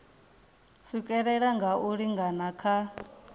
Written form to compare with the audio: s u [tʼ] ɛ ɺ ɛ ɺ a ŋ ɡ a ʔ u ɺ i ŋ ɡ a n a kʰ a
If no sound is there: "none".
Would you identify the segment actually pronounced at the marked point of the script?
kʼ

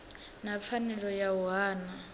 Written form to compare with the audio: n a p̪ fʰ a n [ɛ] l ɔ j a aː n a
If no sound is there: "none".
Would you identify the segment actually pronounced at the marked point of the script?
ɛ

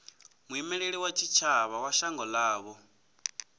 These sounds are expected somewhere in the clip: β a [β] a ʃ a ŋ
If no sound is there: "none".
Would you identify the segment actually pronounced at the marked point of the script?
w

